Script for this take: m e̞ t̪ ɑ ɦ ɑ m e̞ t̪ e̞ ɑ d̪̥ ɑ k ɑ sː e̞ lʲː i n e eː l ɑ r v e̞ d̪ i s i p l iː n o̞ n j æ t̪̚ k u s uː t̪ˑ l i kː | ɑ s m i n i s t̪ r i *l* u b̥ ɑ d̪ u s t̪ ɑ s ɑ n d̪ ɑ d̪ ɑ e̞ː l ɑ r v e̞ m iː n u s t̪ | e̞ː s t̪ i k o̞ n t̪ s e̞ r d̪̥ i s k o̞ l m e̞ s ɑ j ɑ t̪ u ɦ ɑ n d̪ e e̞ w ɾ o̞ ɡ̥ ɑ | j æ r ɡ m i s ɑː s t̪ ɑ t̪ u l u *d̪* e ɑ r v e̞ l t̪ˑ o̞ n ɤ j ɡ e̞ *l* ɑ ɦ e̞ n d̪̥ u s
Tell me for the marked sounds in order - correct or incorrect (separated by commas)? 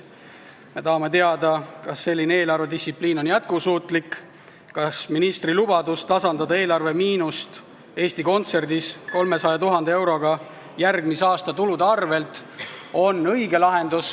correct, correct, correct